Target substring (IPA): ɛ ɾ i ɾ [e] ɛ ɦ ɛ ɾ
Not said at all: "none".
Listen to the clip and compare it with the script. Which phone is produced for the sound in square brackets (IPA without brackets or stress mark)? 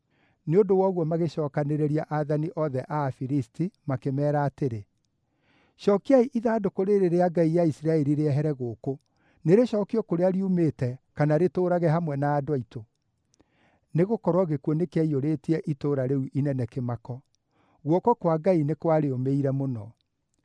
e